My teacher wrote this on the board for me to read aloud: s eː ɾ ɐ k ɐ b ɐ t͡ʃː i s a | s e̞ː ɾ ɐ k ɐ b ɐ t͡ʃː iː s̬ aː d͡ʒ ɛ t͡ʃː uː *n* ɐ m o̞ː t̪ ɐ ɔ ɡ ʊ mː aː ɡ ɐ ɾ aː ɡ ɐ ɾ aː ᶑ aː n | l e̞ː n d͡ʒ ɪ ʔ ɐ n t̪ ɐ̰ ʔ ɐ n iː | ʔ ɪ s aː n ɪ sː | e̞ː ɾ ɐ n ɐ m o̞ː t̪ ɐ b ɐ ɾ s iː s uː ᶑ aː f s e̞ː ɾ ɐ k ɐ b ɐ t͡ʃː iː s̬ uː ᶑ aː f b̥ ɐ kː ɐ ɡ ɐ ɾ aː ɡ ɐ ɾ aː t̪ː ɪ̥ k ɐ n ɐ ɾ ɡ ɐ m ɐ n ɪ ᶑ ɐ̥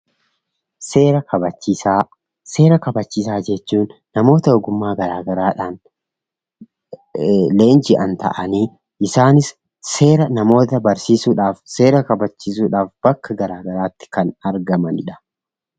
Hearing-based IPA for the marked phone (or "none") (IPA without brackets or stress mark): nː